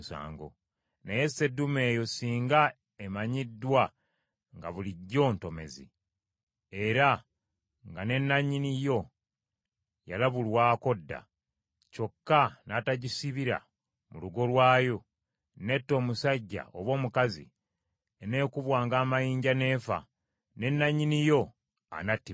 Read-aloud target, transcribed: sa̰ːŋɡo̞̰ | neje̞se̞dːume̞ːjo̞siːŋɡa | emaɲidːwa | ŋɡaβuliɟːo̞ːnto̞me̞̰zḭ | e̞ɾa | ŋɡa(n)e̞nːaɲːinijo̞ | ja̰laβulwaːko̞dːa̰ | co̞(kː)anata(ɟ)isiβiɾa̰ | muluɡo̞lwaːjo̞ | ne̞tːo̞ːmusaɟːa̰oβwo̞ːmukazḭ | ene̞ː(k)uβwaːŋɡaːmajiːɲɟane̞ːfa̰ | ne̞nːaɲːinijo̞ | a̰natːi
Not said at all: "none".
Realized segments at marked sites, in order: n, kː, ɟ, k

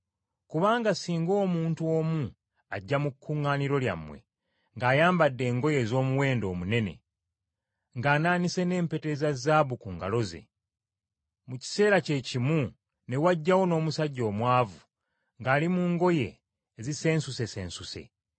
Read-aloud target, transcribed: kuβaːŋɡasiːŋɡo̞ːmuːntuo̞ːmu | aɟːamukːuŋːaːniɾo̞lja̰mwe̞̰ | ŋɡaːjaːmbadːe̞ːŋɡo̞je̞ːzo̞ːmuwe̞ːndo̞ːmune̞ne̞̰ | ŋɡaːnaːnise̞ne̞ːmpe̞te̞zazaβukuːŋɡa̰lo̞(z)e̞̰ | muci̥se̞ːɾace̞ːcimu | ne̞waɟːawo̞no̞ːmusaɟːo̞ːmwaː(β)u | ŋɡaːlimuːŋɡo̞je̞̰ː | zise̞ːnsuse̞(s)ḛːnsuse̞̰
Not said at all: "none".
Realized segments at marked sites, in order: z, v, s

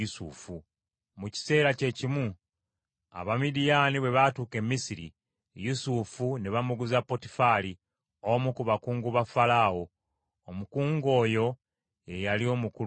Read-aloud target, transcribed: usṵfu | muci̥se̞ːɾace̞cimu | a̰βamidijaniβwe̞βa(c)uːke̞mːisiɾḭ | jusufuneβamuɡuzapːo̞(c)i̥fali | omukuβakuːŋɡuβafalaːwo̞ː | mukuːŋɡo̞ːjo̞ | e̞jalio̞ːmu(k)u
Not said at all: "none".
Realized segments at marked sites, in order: t, t, k

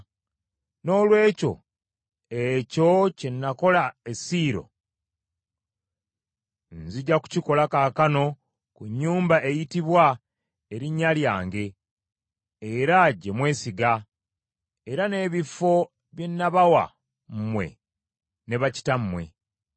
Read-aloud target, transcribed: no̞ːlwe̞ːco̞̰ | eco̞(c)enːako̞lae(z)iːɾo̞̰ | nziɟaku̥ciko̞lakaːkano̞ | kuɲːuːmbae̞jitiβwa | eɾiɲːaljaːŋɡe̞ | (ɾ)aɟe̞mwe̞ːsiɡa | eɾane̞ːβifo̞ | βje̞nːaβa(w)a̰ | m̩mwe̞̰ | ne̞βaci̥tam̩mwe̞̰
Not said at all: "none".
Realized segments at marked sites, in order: c, s, ɾ, w

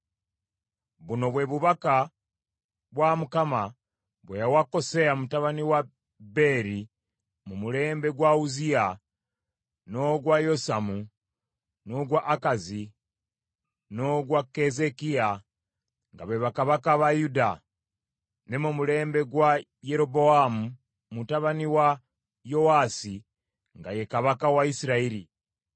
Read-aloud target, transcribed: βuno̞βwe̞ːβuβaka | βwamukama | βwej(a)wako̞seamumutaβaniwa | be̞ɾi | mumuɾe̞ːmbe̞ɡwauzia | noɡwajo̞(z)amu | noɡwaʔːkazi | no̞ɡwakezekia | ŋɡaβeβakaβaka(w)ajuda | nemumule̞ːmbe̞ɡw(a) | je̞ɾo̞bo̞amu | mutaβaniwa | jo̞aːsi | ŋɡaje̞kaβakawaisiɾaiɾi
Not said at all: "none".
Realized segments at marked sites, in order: a, s, β, a

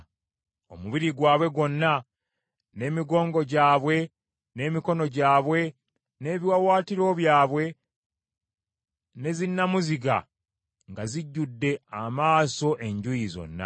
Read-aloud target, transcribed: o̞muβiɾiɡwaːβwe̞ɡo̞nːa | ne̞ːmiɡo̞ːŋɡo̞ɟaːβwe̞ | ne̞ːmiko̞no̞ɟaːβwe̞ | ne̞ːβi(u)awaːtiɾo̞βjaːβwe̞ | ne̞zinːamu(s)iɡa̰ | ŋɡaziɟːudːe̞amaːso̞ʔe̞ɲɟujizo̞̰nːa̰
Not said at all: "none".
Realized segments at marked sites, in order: w, z

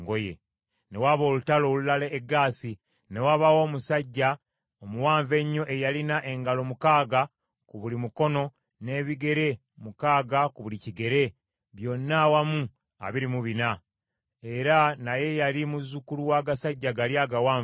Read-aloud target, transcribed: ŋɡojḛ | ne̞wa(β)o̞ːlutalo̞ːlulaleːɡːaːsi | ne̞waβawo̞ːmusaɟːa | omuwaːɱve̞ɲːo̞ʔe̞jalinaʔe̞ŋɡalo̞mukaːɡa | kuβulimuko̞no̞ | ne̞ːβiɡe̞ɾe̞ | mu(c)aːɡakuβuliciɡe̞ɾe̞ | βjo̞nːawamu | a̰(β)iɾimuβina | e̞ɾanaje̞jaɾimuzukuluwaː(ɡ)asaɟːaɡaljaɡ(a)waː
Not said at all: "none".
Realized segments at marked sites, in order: β, k, β, ɡ, a

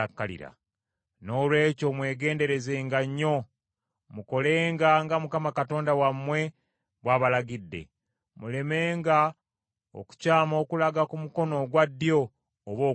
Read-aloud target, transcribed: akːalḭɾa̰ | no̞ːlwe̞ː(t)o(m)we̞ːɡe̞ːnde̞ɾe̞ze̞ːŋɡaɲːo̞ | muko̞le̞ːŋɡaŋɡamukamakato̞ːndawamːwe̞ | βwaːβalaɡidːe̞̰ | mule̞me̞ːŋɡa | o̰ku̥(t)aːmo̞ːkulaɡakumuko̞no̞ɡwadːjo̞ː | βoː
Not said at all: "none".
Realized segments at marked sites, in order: c, m, c

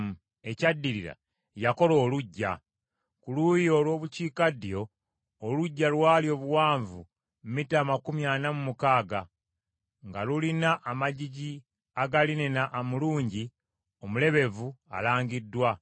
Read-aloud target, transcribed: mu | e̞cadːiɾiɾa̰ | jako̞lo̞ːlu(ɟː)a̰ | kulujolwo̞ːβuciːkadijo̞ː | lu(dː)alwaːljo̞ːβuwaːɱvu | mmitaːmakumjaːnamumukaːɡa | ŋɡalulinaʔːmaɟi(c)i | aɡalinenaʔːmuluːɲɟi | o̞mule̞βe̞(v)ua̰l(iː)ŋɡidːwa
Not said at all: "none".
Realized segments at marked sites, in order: ɟː, ɟː, ɟ, v, aː

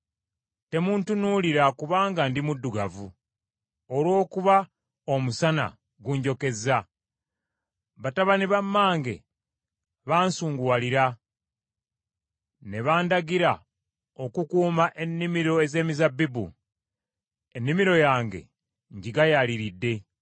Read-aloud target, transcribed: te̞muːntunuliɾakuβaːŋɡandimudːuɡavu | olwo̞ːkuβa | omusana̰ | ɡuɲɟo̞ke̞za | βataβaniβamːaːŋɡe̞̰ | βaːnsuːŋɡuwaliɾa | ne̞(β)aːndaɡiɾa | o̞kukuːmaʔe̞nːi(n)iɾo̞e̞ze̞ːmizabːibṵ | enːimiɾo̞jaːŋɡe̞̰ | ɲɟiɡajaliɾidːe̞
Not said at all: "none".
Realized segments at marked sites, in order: β, m

